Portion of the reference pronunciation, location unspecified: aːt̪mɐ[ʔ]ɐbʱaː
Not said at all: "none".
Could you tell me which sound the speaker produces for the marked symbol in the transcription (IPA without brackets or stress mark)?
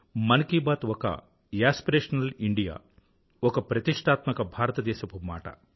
k